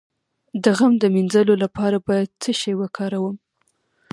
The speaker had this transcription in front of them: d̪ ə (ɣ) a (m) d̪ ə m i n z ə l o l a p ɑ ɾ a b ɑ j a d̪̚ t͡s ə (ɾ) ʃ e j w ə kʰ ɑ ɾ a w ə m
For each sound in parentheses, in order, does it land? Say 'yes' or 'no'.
yes, yes, no

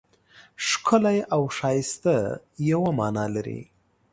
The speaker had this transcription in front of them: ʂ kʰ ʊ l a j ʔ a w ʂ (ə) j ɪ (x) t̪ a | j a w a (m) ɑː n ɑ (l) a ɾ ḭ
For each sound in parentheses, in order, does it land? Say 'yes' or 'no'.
no, no, yes, yes

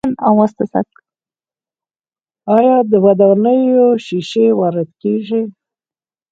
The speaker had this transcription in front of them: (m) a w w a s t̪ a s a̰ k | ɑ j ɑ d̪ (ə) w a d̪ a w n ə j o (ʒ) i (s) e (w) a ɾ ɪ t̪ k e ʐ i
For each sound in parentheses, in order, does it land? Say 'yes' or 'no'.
no, yes, no, no, yes

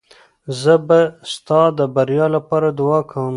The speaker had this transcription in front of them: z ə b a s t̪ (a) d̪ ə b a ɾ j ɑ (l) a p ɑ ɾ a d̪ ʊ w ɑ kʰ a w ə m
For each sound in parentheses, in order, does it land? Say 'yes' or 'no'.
no, yes

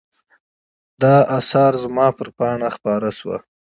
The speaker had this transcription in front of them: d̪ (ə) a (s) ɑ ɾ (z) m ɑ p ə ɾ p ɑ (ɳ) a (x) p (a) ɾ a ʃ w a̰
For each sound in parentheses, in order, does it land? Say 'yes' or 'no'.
no, yes, yes, yes, yes, no

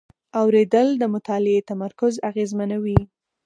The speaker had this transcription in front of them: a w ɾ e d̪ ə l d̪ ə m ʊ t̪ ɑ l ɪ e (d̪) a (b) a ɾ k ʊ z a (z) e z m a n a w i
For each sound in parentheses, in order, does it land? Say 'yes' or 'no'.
no, no, no

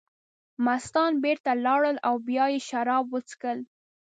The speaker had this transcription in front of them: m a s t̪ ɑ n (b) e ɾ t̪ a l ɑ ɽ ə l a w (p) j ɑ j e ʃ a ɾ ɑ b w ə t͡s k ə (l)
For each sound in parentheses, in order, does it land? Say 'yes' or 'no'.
yes, no, yes

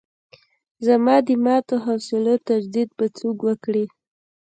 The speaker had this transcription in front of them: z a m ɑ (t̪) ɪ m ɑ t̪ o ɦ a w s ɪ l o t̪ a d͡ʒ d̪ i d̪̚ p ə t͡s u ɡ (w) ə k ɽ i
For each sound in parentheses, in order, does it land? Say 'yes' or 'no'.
no, yes

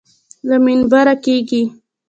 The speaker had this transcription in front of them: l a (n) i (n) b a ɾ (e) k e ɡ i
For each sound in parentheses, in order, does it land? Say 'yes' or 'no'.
no, yes, no

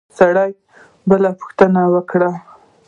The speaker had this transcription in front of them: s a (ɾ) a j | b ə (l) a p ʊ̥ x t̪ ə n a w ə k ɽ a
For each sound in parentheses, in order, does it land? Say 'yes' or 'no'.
no, yes

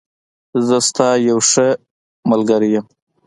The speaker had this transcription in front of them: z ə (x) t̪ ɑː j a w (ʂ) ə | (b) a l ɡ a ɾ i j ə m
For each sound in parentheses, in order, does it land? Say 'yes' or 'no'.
no, yes, no

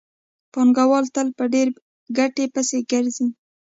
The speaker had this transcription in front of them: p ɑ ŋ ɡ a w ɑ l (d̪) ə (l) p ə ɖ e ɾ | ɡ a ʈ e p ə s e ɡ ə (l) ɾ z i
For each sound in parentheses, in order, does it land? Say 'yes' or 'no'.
no, yes, no

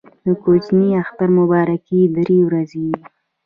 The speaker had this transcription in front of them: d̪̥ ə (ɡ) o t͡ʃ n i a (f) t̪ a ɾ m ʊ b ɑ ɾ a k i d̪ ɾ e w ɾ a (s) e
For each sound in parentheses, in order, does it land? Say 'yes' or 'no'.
no, no, no

